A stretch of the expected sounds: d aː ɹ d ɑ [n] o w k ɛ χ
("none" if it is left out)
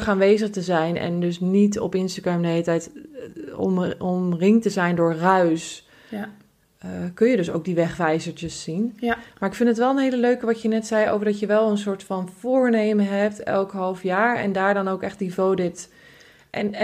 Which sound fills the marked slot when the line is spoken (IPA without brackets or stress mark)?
n